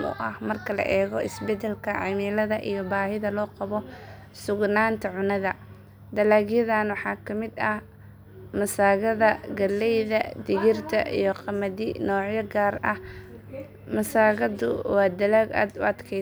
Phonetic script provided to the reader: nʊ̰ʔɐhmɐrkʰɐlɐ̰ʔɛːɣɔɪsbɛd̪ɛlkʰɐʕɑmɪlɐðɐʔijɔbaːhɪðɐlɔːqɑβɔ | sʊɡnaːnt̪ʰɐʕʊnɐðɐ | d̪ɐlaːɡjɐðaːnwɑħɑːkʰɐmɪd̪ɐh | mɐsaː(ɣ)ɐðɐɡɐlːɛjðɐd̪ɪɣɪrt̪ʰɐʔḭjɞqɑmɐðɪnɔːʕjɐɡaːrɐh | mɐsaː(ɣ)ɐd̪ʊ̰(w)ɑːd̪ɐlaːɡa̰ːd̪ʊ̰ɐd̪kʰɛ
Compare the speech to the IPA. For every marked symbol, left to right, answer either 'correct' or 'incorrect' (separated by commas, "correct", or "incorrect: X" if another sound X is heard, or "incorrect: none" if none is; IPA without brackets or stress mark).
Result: correct, correct, correct